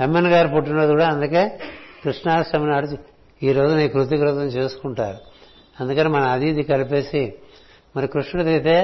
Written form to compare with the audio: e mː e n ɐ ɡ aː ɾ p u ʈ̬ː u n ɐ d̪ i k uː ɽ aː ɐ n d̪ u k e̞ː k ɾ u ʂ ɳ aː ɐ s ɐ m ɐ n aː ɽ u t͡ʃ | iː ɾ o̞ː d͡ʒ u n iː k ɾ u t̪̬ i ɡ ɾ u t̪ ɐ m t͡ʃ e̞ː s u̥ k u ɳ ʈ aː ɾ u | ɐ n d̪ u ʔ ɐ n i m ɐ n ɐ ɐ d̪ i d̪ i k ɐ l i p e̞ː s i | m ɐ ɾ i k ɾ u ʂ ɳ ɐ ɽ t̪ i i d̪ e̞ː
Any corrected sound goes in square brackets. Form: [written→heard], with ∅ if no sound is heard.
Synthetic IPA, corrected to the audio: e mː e n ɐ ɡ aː ɾ p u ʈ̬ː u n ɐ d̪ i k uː ɽ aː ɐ n d̪ u k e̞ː k ɾ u ʂ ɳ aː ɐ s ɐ m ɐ n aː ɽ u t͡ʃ | iː ɾ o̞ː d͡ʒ u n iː k ɾ u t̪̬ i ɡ ɾ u t̪ ɐ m t͡ʃ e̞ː s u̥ k u ɳ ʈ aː ɾ u | ɐ n d̪ u [ʔ→k] ɐ n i m ɐ n ɐ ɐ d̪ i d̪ i k ɐ l i p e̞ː s i | m ɐ ɾ i k ɾ u ʂ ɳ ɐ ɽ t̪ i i [d̪→t̪] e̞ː